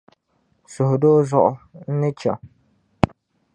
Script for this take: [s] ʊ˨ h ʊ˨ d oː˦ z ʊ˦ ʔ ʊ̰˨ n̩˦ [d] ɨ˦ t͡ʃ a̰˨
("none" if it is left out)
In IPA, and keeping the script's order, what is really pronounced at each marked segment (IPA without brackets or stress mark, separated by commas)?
s, n